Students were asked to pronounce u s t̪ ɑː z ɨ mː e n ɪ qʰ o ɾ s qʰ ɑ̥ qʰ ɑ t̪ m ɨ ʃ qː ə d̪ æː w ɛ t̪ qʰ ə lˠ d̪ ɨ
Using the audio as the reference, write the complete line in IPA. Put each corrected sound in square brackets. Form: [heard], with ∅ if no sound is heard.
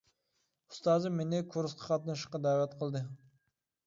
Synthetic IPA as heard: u s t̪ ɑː z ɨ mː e n ɪ [kʰ] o ɾ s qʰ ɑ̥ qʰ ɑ t̪ [n] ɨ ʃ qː [ɑ] d̪ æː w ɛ t̪ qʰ ə lˠ d̪ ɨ